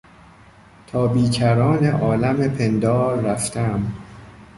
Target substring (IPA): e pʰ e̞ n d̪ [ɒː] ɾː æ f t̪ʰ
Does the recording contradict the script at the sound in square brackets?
no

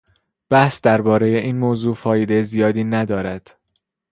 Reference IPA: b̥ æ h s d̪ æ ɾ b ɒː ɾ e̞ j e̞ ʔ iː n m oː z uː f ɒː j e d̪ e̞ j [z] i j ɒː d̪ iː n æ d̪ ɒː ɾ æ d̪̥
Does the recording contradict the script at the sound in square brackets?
no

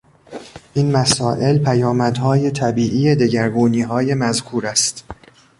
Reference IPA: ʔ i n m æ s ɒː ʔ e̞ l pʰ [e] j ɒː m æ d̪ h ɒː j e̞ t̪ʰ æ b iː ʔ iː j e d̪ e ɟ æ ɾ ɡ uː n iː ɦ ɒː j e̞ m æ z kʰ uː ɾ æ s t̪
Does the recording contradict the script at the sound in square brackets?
yes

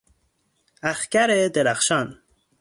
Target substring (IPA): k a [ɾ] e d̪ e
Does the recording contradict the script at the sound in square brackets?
no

